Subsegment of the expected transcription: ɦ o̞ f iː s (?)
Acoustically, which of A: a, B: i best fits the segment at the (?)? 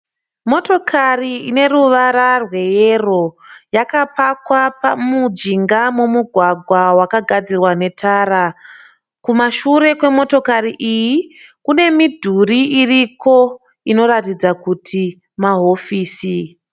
B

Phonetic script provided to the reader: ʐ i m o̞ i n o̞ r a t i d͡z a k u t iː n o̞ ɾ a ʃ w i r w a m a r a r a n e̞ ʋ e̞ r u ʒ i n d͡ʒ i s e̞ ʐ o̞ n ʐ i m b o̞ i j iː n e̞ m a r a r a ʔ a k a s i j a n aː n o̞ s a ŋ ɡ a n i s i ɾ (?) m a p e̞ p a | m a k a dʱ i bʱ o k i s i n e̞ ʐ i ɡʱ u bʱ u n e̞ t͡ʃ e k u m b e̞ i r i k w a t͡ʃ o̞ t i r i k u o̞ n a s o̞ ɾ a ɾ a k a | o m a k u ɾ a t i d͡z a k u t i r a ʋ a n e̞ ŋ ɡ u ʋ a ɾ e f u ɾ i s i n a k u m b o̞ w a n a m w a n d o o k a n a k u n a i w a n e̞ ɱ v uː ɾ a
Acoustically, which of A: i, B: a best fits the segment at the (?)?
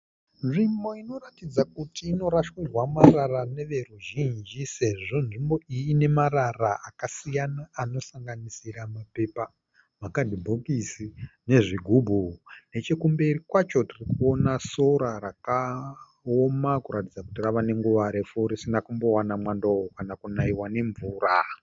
B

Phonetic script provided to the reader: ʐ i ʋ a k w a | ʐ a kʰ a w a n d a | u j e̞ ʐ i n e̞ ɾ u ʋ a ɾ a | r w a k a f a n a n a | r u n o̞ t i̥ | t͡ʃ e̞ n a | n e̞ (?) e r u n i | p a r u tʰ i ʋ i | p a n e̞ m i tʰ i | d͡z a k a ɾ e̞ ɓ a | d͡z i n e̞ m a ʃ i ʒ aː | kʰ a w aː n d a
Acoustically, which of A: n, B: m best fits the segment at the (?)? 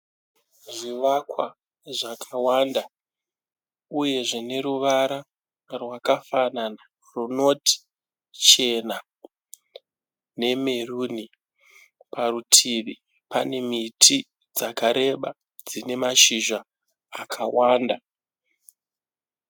B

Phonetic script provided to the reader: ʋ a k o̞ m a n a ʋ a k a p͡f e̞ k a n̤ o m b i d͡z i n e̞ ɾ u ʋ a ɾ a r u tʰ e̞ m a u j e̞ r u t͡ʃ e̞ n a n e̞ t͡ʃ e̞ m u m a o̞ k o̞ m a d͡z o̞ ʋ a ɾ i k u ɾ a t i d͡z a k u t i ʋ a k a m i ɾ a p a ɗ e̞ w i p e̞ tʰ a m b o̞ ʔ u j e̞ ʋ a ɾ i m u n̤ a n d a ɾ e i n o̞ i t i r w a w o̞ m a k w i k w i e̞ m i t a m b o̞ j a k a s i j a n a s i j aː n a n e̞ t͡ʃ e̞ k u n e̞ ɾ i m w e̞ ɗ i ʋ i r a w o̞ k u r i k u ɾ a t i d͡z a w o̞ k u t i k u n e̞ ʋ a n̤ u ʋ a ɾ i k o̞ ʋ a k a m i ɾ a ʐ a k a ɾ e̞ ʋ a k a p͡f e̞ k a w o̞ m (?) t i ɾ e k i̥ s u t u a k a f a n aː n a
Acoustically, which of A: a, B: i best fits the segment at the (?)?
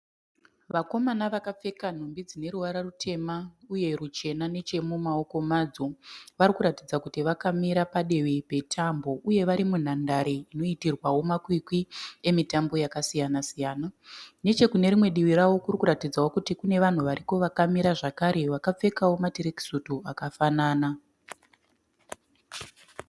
A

